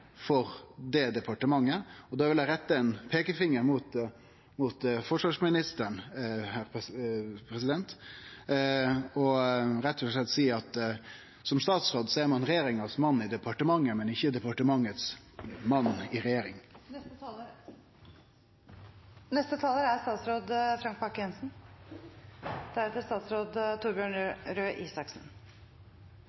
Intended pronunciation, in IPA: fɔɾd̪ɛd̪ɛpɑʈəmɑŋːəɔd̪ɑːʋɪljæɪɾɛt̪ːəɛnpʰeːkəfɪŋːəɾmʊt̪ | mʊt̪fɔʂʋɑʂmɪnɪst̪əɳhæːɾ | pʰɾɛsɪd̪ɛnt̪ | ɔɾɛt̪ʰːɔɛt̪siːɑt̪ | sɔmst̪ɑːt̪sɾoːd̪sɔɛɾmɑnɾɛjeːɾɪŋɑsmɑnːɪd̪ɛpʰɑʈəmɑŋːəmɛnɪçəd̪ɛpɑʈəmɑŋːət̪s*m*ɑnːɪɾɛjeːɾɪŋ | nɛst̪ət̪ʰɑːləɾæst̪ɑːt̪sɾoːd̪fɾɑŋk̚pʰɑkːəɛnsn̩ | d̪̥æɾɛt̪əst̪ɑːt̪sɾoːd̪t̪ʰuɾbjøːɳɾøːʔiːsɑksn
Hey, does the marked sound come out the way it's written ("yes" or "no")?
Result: yes